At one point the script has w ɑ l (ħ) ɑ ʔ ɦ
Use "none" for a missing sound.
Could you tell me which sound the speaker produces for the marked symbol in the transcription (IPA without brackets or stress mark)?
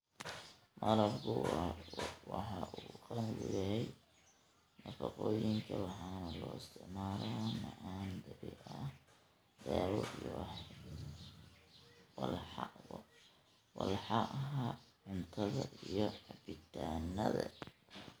ħ